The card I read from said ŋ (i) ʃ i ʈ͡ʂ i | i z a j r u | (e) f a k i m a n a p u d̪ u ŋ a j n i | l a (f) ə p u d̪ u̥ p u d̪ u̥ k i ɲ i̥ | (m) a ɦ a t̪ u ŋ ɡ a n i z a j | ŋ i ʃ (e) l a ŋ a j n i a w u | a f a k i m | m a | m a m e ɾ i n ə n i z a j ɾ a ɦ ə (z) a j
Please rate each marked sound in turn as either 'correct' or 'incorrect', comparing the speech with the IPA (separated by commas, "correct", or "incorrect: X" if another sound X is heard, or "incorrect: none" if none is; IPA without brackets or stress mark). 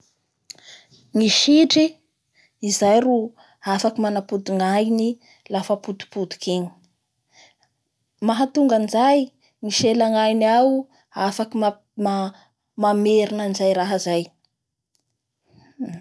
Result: correct, incorrect: a, correct, correct, correct, correct